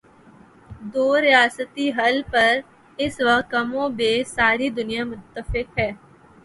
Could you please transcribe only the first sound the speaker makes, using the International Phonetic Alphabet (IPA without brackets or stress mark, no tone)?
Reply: d̪